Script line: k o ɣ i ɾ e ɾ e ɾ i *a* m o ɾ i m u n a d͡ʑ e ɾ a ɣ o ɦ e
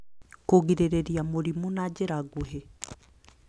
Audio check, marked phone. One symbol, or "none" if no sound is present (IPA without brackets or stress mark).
a